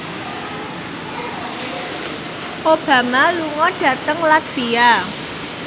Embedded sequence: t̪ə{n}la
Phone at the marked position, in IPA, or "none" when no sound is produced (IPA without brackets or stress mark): ŋ